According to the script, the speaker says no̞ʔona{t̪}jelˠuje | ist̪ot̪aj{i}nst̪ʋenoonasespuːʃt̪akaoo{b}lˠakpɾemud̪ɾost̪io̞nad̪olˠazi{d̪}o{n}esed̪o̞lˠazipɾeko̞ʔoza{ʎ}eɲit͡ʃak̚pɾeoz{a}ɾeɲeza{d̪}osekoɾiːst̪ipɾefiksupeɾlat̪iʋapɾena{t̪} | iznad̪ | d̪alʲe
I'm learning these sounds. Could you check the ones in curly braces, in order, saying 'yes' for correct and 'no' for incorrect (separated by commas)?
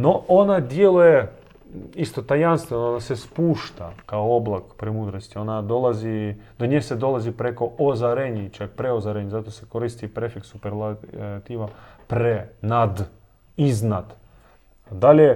no, no, yes, yes, no, no, yes, no, no